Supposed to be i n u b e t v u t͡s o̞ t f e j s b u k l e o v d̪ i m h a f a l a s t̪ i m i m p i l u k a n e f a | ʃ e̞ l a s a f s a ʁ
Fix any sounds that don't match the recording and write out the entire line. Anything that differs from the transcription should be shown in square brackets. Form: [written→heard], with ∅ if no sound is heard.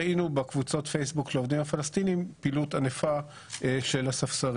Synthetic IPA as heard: i n u b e [t→k] v u t͡s o̞ t f e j s b u k l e o v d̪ i m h a f a l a s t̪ i [m→n] i m p i l u [k→t] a n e f a | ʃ e̞ l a s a f s a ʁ